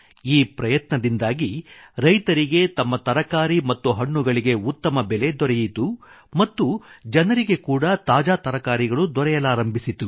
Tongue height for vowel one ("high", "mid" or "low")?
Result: high